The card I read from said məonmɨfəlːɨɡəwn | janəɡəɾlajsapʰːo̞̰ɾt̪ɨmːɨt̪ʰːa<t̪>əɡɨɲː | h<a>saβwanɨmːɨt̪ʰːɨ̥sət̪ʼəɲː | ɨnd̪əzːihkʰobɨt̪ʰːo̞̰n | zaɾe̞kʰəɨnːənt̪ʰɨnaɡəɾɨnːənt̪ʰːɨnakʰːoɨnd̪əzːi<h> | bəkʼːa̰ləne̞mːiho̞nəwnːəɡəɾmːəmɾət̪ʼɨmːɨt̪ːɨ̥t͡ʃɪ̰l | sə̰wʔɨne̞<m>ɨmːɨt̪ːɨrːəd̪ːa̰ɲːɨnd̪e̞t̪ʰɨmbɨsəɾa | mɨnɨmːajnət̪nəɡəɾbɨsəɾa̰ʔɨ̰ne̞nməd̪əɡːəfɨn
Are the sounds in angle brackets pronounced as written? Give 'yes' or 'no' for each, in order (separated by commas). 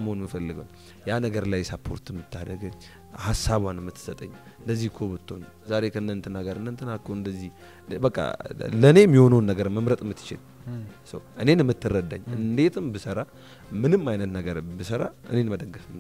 no, yes, yes, no